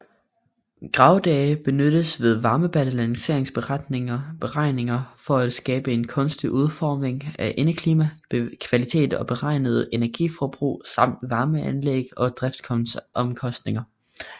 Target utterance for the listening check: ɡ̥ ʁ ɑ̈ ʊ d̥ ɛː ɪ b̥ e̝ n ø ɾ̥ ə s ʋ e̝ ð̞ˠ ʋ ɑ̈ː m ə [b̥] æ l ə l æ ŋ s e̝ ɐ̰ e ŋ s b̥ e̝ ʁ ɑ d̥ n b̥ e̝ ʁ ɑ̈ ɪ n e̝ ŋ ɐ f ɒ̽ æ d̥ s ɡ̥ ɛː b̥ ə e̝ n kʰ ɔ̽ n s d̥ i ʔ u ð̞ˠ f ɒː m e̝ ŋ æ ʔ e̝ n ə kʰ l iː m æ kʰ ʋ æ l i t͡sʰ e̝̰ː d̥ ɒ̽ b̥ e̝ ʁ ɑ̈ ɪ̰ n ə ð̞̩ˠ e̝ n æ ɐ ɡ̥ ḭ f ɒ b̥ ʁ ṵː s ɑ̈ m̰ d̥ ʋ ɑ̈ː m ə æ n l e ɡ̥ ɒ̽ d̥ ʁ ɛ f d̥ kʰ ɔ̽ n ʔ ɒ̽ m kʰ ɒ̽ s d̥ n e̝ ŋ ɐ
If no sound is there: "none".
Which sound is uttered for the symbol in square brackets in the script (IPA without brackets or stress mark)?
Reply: b̥